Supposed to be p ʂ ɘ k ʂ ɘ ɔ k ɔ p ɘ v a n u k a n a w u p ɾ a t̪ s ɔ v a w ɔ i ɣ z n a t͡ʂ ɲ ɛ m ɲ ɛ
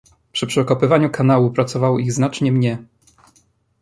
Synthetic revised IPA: p ʂ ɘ p ʂ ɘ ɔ k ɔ p ɘ v a ɲ u k a n a w u p ɾ a t̪ s ɔ v a w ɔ i ɣ z n a t͡ʂ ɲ ɛ m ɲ ɛ